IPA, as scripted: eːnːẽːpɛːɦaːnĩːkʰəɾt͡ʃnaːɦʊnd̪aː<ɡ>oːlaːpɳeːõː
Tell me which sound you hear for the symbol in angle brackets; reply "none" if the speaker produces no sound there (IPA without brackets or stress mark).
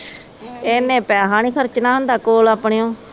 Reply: k